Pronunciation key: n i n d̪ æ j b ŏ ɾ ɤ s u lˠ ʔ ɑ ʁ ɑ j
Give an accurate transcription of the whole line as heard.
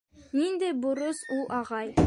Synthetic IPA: n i n d̪ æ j b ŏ ɾ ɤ s u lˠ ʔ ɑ ʁ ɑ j